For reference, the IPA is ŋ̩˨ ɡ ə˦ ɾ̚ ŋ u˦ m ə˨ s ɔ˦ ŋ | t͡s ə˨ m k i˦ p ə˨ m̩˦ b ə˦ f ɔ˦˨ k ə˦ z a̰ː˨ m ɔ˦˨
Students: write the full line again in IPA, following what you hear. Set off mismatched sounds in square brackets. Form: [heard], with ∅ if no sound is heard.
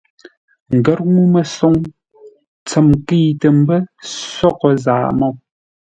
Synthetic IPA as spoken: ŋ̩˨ ɡ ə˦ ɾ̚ ŋ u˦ m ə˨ s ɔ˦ ŋ | t͡s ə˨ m k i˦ [t] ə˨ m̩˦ b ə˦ [s] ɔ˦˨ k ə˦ z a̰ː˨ m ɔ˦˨